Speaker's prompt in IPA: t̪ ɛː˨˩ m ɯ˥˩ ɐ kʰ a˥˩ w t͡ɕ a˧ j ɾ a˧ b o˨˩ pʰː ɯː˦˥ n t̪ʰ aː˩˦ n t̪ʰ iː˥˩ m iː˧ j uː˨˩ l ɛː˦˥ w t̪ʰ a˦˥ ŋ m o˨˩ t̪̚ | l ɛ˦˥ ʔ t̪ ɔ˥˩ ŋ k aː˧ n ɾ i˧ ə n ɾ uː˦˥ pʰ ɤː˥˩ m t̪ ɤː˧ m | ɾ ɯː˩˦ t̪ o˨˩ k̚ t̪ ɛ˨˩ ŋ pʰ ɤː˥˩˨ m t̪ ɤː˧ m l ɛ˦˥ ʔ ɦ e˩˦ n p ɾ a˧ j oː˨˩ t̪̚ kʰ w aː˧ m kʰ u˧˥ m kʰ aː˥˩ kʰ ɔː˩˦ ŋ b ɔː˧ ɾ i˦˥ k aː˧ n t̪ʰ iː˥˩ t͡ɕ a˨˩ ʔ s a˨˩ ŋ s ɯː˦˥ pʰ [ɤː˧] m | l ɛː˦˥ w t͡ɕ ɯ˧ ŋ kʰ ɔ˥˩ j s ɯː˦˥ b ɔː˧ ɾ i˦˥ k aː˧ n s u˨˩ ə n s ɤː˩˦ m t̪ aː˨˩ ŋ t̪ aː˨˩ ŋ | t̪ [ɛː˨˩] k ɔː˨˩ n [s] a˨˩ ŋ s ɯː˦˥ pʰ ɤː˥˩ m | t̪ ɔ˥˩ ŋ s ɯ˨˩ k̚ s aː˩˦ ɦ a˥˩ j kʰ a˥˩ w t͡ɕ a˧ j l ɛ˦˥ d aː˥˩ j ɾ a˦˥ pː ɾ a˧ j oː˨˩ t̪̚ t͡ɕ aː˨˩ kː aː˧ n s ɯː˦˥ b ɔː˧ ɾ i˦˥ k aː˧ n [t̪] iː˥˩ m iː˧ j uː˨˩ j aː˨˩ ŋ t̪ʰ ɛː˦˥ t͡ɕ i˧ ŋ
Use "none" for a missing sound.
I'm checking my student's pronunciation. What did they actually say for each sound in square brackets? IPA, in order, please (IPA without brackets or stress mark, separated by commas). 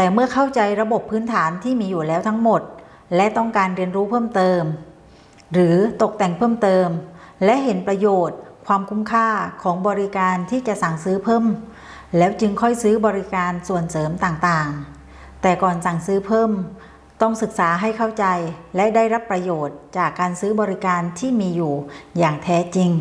ɤː˥˩, ɛː˨˩, s, t̪ʰ